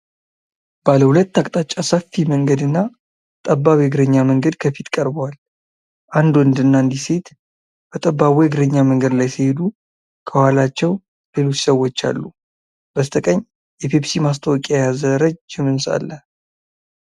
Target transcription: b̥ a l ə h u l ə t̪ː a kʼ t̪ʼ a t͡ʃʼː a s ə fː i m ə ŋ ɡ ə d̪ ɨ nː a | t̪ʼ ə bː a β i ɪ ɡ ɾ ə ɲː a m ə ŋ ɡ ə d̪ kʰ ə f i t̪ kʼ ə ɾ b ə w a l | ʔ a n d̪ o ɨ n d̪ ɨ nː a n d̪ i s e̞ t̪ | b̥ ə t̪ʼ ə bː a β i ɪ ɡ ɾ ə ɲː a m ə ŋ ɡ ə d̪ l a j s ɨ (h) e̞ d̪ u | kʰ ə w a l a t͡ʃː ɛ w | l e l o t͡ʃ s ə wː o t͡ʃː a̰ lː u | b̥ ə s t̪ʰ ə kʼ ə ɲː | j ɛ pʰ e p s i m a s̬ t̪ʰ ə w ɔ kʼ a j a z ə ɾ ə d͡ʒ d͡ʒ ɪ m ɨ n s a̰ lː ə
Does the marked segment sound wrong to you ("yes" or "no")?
no